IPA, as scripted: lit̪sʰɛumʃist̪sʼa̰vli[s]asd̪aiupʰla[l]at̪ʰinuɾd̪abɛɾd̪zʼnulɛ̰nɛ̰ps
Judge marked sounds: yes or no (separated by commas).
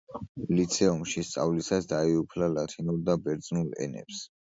yes, yes